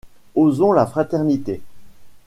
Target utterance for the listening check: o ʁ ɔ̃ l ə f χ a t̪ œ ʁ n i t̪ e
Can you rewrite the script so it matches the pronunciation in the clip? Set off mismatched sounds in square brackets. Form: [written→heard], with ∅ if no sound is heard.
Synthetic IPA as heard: o [ʁ→z] ɔ̃ l [ə→a] f χ a t̪ [œ→ɛ] ʁ n i t̪ e